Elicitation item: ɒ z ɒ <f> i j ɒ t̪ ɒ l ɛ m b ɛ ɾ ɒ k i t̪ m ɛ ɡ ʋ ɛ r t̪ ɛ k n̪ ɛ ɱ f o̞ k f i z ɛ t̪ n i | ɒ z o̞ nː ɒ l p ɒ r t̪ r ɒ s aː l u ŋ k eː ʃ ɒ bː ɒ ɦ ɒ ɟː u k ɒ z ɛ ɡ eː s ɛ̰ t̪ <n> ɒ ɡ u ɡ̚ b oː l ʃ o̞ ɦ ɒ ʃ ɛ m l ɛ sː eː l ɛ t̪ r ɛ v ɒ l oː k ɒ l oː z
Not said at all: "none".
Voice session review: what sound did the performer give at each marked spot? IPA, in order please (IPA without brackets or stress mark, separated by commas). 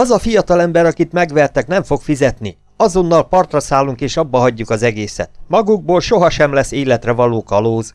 f, m